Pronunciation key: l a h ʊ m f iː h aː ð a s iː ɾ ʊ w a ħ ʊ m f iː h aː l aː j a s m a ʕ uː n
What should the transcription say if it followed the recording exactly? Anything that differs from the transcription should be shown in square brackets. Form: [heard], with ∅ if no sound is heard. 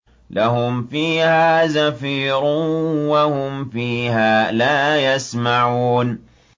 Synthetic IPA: l a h ʊ m f iː h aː [z] a [f] iː ɾ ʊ w a [h] ʊ m f iː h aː l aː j a s m a ʕ uː n